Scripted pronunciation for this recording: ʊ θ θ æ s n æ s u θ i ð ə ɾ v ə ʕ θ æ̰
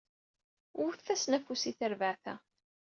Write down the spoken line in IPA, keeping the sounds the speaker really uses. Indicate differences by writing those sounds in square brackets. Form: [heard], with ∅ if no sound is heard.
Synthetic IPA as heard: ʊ θ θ æ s n æ [f] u [s] i [θ] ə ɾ v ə ʕ θ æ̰